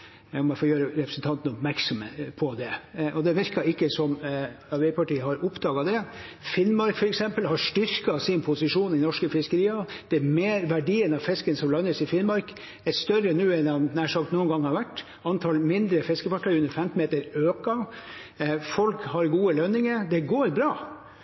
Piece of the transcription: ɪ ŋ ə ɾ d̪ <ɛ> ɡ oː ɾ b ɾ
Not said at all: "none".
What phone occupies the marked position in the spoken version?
ɛ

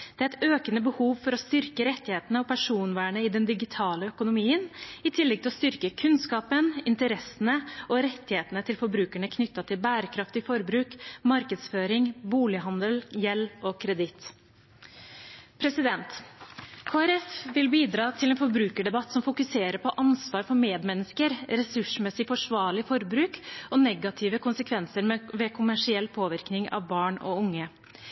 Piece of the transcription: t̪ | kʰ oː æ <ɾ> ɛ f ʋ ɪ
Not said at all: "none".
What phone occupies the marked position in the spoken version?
ɾ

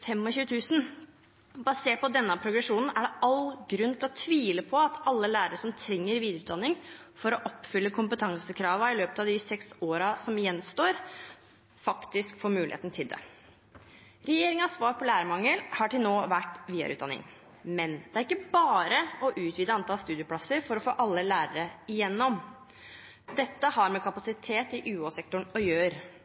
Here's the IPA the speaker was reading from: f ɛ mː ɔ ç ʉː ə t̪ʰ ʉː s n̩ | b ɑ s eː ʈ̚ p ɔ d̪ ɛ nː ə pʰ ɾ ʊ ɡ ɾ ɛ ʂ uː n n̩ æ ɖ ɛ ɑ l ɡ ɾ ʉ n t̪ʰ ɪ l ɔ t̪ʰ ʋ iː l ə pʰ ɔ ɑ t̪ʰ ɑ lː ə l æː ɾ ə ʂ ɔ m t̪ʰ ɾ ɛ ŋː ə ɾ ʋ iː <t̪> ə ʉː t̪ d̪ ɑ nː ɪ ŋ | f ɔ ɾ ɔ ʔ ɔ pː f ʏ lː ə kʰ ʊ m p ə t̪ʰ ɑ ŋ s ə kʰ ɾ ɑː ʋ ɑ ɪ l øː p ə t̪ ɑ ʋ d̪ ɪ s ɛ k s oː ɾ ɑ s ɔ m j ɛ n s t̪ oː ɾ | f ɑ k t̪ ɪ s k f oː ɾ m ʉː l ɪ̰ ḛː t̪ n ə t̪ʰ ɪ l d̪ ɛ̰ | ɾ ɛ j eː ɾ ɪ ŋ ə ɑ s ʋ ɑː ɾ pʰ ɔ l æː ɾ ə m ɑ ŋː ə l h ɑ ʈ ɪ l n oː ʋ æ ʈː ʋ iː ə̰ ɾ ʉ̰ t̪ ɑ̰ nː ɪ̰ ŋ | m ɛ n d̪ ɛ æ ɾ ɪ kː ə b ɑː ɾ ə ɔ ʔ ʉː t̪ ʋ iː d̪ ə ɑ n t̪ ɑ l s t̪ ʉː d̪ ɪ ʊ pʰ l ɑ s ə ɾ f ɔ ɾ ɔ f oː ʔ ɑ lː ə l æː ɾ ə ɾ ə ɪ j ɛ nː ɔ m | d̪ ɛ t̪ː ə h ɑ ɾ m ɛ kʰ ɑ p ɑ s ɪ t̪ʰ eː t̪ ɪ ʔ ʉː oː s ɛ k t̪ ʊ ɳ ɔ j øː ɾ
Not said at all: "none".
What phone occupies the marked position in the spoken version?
d̪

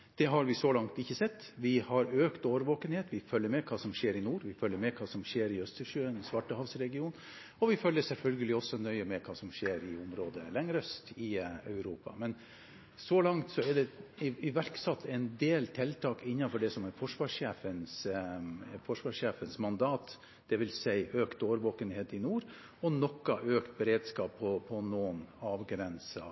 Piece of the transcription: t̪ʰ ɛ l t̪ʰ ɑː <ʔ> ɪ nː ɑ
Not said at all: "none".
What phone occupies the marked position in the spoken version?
k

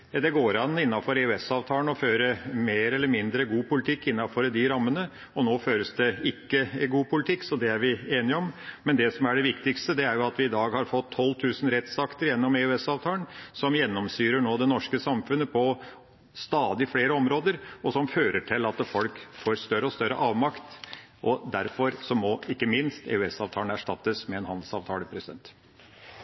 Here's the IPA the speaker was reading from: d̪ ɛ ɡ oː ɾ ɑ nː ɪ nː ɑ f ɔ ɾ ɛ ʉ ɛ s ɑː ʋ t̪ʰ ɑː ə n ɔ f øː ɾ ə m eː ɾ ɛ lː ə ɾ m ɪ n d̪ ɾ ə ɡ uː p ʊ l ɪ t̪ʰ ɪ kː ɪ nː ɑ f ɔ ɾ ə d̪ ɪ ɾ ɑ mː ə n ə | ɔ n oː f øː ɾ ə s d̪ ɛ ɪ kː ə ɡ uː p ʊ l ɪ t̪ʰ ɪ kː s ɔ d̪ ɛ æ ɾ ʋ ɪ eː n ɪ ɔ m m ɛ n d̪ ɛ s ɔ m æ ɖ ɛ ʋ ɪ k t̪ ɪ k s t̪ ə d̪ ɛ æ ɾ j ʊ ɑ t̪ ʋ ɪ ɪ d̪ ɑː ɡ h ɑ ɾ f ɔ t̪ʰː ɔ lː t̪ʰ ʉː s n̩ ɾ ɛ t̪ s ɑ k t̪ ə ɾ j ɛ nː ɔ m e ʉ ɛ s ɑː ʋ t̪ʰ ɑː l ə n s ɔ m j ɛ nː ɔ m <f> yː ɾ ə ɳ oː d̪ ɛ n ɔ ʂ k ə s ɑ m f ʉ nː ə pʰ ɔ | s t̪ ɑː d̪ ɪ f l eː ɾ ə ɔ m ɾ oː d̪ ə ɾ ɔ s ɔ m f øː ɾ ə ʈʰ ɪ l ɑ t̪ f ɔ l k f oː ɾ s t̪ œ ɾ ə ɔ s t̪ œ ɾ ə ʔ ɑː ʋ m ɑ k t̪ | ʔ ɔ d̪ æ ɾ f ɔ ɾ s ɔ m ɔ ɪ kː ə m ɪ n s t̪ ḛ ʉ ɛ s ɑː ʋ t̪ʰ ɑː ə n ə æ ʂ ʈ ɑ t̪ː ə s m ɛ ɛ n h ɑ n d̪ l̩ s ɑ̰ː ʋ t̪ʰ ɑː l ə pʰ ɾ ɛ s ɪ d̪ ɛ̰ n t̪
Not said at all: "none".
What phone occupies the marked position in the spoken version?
s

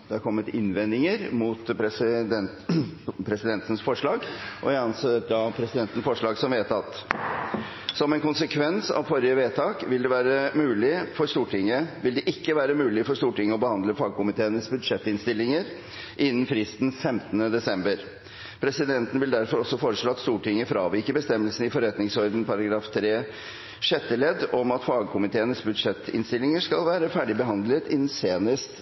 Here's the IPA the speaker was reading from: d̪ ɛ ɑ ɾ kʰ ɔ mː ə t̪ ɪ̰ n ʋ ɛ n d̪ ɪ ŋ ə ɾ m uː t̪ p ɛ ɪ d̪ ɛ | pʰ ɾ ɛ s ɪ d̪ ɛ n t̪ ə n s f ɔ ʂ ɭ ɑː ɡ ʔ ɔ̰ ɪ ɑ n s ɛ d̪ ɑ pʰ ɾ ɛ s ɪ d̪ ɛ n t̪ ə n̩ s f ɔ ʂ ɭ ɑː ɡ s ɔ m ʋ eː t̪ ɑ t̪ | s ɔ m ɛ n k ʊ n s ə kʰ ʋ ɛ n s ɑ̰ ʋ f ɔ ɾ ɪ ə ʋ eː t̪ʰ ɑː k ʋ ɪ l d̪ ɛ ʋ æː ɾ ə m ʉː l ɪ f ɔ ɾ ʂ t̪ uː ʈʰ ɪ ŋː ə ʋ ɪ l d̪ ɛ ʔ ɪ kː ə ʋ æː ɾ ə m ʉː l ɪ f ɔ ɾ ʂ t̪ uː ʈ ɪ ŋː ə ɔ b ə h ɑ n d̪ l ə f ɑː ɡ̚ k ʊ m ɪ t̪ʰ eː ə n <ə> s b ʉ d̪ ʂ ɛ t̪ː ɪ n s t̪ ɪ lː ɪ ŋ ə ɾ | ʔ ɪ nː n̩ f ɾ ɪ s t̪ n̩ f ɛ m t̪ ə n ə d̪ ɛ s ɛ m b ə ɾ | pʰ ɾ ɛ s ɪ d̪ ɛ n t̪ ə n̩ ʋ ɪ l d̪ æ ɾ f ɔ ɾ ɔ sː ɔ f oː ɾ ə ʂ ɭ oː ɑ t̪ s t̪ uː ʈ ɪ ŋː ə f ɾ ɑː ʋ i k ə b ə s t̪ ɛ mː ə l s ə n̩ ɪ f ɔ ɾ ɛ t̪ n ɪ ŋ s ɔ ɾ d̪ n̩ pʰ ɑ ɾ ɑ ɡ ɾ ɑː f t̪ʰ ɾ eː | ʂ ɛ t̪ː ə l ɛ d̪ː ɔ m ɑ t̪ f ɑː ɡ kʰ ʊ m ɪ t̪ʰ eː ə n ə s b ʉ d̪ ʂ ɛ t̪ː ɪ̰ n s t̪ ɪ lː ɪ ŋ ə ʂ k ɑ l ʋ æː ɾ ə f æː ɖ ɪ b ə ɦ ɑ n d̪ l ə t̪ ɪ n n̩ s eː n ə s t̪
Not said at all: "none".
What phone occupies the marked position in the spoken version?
ə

